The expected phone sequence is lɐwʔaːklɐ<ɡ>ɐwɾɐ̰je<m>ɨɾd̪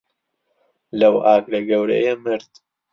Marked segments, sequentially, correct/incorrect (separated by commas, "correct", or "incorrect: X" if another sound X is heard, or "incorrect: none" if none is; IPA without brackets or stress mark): correct, correct